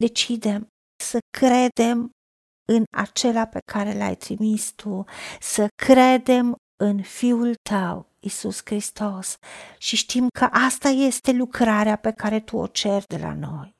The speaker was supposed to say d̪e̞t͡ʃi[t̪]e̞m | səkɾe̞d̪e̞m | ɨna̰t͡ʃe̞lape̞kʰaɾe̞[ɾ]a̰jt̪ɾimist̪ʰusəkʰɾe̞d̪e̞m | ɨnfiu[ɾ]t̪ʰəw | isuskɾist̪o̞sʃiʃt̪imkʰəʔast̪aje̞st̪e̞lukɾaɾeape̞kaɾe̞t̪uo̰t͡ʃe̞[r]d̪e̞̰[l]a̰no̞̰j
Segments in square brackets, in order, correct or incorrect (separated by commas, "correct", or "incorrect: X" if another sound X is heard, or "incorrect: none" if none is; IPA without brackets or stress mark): incorrect: d̪, incorrect: l, incorrect: l, correct, correct